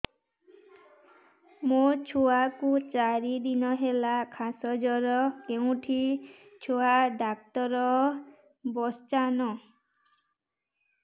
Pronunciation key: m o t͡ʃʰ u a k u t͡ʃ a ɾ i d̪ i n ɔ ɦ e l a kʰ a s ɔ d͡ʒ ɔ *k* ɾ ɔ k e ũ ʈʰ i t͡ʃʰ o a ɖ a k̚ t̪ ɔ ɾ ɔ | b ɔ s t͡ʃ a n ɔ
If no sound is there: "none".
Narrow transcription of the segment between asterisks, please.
none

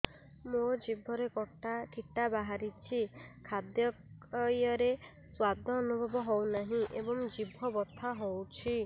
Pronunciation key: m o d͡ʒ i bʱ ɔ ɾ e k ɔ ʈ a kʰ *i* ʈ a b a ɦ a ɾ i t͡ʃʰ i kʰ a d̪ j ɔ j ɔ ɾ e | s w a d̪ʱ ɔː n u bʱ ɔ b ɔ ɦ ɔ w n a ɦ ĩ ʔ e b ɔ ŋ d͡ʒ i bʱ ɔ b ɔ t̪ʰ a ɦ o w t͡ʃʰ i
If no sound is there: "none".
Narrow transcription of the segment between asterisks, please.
i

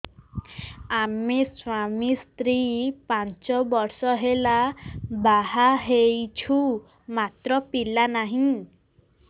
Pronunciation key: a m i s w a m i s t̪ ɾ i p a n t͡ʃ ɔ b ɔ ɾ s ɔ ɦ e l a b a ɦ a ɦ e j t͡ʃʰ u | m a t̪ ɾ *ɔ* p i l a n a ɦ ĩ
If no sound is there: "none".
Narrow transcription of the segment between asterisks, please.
ɔ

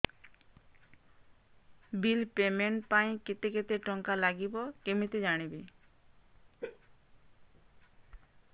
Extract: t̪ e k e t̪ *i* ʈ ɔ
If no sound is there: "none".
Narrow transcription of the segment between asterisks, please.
e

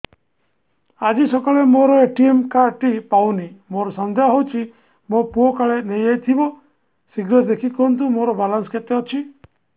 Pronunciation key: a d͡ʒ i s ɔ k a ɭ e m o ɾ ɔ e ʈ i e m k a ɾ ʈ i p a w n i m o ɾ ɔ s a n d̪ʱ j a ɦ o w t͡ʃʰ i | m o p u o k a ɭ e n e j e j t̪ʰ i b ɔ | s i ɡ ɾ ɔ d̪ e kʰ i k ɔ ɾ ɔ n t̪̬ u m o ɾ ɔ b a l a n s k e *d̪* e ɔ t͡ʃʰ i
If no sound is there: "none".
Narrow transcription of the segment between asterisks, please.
t̪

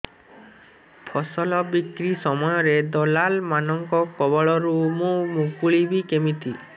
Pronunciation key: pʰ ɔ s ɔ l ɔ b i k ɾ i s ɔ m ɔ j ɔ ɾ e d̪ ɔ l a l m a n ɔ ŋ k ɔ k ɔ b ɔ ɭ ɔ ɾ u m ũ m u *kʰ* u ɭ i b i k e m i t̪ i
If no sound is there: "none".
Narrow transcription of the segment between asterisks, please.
k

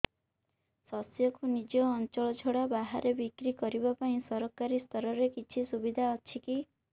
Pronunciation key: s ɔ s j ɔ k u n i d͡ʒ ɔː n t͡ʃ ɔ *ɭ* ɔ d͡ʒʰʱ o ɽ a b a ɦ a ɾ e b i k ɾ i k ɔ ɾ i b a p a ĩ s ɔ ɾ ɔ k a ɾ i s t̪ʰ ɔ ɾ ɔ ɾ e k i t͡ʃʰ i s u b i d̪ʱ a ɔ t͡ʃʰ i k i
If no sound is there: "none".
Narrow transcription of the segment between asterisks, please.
ɭ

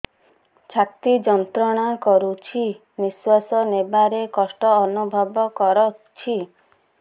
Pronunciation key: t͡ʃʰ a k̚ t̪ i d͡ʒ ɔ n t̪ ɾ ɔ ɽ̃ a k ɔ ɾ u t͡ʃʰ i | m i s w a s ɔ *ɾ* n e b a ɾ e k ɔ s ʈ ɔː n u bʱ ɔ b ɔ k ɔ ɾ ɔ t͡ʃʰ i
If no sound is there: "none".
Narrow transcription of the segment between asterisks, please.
none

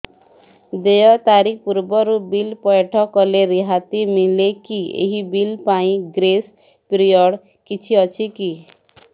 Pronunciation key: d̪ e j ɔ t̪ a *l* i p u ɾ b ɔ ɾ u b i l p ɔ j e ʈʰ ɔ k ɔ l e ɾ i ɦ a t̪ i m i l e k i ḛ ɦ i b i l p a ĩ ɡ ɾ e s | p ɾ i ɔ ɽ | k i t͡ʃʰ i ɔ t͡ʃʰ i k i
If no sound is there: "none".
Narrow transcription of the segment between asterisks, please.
ɾ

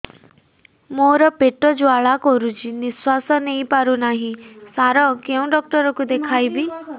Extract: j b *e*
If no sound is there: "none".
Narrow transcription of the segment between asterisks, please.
i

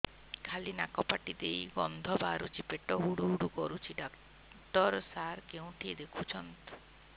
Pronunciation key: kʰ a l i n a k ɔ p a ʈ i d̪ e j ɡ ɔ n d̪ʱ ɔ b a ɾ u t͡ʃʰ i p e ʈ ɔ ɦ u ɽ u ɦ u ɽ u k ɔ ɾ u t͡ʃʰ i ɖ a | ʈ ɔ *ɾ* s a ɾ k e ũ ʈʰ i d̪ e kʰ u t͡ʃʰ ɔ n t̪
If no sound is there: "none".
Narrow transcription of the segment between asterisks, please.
ɾ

